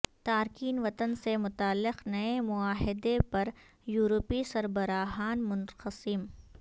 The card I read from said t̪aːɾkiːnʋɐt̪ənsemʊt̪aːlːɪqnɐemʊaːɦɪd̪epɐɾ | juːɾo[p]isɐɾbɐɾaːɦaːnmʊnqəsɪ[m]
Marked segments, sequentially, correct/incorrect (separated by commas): correct, correct